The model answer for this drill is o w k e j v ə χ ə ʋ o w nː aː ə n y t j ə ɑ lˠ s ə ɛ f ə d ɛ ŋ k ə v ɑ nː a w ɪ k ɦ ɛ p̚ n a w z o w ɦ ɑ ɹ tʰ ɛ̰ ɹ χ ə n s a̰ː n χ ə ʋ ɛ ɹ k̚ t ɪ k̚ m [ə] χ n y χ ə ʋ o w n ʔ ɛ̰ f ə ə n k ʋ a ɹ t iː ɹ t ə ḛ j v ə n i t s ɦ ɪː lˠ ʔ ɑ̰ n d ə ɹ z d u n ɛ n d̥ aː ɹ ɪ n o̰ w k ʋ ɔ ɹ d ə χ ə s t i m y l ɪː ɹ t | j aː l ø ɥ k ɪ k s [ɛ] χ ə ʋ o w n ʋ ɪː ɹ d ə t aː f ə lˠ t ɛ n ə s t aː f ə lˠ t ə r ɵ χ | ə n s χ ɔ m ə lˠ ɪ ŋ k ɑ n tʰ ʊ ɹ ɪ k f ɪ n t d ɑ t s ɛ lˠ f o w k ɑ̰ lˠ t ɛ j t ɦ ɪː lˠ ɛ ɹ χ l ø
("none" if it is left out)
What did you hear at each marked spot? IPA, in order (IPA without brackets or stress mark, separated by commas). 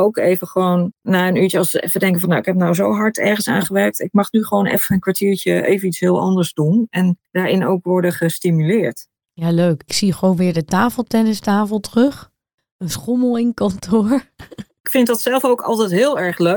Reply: ɑ, i